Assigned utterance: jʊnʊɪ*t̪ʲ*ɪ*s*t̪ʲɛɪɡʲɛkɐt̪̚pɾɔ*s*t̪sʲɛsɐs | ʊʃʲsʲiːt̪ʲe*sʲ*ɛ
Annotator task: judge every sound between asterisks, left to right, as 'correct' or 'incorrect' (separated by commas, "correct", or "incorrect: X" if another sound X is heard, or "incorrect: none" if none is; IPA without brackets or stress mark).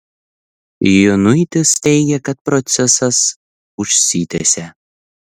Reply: correct, correct, incorrect: none, correct